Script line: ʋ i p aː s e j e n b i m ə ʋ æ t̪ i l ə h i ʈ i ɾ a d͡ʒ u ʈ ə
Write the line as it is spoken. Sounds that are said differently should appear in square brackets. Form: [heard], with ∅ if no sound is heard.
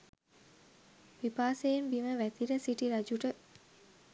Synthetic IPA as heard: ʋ i p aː s e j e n b i m ə ʋ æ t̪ i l ə [s] i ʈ i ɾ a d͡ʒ u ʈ ə